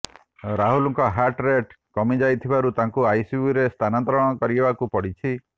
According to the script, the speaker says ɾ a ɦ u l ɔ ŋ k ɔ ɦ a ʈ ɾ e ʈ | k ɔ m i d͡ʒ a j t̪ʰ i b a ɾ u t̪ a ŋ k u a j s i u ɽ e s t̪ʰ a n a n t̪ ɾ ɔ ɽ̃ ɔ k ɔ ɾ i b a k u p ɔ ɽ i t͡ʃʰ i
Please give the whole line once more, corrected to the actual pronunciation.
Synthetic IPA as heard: ɾ a ɦ u l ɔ ŋ k ɔ ɦ a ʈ ɾ e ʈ | k ɔ m i d͡ʒ a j t̪ʰ i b a ɾ u t̪ a ŋ k u a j s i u ɾ e s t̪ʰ a n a n t̪ ɾ ɔ ɽ̃ ɔ k ɔ ɾ i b a k u p ɔ ɽ i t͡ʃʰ i